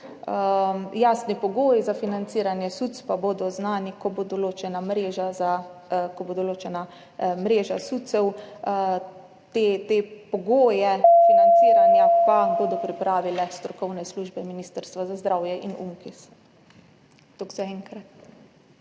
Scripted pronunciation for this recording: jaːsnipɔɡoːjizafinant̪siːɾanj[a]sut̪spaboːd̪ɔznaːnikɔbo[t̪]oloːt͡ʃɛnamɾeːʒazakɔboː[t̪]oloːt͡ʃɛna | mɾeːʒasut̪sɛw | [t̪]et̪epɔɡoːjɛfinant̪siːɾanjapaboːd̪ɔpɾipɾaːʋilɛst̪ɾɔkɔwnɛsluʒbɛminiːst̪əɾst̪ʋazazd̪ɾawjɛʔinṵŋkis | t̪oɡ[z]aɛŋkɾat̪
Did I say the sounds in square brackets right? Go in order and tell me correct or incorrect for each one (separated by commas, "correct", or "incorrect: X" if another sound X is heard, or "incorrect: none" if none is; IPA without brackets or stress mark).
incorrect: ɛ, incorrect: d̪, incorrect: d̪, correct, correct